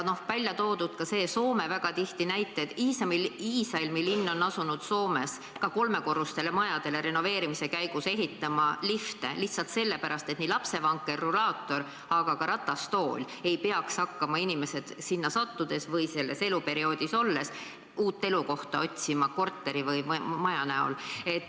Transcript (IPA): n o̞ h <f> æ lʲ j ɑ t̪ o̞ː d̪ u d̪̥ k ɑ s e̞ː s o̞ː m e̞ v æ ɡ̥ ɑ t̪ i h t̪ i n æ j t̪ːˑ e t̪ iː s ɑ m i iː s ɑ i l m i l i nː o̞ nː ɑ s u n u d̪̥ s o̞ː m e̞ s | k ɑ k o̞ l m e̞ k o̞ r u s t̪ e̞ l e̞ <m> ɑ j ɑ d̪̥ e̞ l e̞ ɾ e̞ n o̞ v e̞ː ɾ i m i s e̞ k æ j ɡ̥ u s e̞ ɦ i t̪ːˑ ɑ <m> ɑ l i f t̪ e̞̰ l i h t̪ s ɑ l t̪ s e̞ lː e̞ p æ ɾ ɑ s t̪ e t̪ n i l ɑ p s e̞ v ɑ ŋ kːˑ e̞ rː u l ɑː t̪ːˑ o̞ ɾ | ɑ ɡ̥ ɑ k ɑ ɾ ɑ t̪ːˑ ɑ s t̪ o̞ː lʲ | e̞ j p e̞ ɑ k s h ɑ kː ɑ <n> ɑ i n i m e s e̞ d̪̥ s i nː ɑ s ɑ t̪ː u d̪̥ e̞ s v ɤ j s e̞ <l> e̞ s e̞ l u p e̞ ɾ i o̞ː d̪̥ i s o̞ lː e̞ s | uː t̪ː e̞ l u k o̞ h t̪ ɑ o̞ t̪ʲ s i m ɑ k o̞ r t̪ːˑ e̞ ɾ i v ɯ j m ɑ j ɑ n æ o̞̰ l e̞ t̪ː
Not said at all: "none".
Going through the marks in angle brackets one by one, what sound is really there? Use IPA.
v, m, m, m, lː

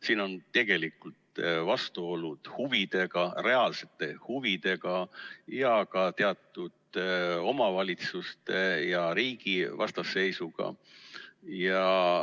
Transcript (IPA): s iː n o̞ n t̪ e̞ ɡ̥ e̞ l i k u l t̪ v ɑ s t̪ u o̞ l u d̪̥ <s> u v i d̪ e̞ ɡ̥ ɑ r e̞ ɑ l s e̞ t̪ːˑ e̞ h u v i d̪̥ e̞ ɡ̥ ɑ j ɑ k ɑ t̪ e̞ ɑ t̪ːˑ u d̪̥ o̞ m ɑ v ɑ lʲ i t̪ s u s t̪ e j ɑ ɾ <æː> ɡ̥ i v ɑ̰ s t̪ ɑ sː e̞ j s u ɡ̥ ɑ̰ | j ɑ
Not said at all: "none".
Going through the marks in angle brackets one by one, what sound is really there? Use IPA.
h, iː

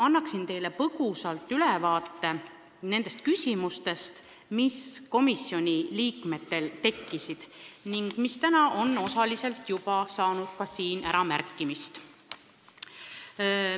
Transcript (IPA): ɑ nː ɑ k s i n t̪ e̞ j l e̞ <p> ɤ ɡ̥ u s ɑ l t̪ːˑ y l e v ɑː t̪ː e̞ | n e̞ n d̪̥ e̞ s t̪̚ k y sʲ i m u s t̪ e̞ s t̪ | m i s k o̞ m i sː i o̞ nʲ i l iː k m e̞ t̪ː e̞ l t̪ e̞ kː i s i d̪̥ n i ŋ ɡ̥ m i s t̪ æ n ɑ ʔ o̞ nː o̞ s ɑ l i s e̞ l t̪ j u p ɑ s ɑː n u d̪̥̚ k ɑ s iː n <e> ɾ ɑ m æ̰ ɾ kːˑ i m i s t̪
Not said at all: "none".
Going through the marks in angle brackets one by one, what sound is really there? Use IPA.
p, æ

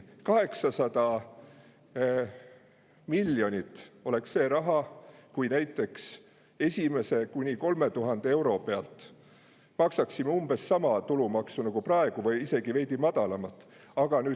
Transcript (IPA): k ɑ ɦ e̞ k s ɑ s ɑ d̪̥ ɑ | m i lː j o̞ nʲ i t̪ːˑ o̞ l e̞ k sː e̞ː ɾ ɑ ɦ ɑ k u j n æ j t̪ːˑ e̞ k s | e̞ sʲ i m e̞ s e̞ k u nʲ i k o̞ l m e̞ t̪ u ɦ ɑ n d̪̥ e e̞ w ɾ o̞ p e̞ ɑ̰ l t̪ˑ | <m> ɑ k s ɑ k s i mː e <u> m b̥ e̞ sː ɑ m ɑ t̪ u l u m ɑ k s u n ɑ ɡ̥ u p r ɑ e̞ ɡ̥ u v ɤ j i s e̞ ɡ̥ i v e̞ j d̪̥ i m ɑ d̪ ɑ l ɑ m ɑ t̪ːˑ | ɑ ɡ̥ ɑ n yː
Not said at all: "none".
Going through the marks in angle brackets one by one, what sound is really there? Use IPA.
m, u

